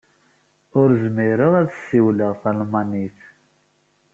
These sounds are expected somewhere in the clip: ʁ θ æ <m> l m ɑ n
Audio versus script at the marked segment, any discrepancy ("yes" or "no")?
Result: yes